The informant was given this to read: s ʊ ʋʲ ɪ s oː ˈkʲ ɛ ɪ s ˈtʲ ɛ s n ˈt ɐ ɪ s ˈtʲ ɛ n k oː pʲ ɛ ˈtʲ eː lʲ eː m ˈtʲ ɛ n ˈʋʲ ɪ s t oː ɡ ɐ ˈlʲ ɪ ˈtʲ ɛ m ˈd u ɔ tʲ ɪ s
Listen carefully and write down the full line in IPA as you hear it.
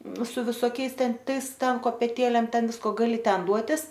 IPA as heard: s ʊ ʋʲ ɪ s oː ˈkʲ ɛ ɪ s ˈtʲ ɛ n ˈt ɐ ɪ s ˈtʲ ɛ n k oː pʲ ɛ ˈtʲ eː lʲ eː m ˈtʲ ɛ n ˈʋʲ ɪ s k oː ɡ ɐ ˈlʲ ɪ ˈtʲ ɛ n ˈd u ɔ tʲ ɪ s